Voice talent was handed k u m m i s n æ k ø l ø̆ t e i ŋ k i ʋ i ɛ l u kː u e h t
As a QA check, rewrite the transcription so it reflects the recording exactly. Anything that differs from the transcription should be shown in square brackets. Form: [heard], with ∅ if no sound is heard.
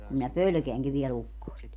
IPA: k u m m i [∅] n æ [p] ø l ø̆ [k] e [æ] ŋ k i ʋ i ɛ l u kː [o] e [s] t